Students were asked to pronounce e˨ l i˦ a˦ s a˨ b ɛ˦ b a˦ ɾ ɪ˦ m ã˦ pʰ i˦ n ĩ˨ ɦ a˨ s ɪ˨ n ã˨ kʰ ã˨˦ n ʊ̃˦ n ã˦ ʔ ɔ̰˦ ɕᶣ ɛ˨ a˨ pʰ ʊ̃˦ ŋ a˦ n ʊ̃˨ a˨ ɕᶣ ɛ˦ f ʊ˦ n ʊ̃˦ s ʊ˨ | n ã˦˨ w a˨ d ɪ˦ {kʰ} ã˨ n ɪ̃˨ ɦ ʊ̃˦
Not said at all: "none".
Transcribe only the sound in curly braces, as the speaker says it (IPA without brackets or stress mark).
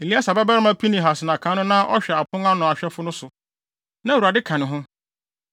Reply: kʰ